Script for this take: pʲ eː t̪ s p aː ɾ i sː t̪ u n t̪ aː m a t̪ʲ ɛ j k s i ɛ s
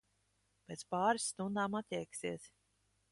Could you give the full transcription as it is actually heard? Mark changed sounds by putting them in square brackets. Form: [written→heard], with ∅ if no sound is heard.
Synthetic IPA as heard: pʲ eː t̪ s p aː ɾ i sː t̪ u n [t̪→d̪] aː m a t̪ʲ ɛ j k s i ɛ s